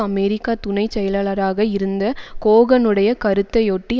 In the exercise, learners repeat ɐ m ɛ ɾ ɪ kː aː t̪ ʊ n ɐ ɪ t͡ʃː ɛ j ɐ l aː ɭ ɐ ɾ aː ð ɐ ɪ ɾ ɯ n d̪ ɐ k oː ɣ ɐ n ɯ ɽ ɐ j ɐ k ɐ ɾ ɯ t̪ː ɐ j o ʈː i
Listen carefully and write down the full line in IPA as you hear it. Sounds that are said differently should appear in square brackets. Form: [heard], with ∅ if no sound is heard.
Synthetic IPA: ɐ m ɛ ɾ ɪ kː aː t̪ ʊ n ɐ ɪ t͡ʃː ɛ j ɐ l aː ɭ ɐ ɾ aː [ɣ] ɐ ɪ ɾ ɯ n d̪ ɐ k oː ɣ ɐ n ɯ ɽ ɐ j ɐ k ɐ ɾ ɯ t̪ː ɐ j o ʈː i